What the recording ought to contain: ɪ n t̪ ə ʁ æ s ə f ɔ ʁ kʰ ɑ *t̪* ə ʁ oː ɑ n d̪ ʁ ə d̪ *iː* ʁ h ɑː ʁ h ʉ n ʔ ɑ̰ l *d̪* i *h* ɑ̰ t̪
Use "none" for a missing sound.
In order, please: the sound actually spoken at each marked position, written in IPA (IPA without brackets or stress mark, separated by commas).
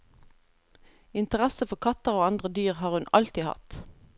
t̪, yː, t̪, h